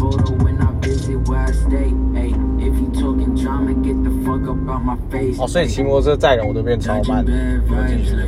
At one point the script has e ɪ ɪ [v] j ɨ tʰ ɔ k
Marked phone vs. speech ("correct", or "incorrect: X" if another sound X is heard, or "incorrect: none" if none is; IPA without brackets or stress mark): incorrect: f